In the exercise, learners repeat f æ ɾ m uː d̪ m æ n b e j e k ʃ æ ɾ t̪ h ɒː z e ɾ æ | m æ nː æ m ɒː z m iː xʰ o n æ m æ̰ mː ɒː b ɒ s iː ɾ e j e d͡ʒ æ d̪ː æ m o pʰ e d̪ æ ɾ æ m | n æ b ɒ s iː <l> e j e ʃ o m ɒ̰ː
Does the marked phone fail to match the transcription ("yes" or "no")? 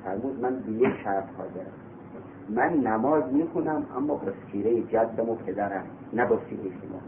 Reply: yes